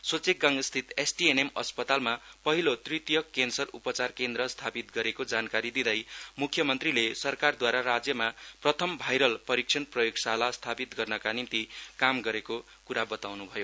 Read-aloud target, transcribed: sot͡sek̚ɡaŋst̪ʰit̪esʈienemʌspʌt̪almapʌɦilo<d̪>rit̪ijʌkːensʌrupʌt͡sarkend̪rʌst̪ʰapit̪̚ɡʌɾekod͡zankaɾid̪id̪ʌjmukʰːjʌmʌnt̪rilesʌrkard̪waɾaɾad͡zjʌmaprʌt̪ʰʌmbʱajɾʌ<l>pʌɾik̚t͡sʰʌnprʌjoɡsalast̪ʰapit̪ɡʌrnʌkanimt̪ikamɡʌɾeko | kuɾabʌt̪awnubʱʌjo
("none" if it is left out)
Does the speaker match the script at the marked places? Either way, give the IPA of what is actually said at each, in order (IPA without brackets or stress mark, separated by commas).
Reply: t̪, l